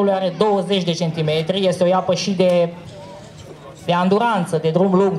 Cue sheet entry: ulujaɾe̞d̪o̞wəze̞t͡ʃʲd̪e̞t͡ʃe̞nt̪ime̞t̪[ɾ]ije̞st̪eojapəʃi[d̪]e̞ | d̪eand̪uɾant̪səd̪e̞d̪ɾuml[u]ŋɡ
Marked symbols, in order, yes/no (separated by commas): yes, yes, yes